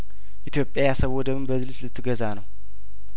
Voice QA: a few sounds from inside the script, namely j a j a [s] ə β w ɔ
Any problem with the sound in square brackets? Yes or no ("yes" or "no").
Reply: no